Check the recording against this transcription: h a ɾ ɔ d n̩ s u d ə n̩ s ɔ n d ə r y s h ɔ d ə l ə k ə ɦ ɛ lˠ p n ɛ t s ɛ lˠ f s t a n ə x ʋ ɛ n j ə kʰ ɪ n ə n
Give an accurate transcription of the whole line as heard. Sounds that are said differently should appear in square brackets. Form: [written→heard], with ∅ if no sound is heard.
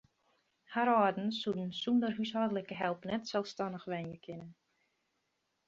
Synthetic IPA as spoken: h a ɾ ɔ d n̩ s u d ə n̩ s [ɔ→u] n d ə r y s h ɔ d ə l ə k ə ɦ ɛ lˠ p n ɛ t s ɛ lˠ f s t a n ə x ʋ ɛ n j ə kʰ ɪ n ə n